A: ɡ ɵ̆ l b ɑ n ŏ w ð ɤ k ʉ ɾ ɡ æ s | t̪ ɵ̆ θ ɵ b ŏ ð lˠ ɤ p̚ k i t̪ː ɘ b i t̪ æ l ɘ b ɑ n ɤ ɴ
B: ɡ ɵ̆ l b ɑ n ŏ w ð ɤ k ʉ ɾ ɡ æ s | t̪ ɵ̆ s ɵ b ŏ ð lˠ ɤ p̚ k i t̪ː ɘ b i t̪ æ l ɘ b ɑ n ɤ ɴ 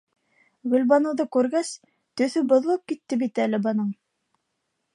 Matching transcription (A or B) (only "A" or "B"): A